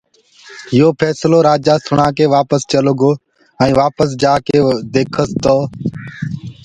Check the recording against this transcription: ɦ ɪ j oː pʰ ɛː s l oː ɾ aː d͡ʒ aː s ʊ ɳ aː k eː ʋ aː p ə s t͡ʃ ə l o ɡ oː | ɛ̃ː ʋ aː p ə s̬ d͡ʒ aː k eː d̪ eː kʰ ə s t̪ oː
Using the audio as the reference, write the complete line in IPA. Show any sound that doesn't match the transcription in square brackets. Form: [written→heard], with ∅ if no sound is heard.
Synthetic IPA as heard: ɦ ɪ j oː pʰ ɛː s l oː ɾ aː d͡ʒ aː s ʊ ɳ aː k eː ʋ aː p ə s t͡ʃ ə l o ɡ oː | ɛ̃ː ʋ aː p ə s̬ d͡ʒ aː k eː d̪ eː kʰ ə s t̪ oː